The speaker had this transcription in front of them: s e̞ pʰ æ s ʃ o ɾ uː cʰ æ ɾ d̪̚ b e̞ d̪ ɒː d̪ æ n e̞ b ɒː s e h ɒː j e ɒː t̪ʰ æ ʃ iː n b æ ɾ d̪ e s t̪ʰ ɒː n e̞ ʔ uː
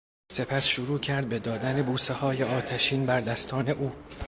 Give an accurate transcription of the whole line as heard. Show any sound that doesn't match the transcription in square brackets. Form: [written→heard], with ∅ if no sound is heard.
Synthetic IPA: s e̞ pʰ æ s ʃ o ɾ uː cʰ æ ɾ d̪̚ b e̞ d̪ ɒː d̪ æ n e̞ b [ɒː→uː] s e h ɒː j e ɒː t̪ʰ æ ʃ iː n b æ ɾ d̪ [e→æ] s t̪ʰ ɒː n e̞ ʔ uː